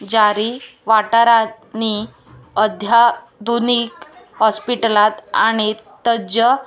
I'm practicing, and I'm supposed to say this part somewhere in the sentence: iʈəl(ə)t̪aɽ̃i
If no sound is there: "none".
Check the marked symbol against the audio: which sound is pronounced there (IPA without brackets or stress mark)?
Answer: a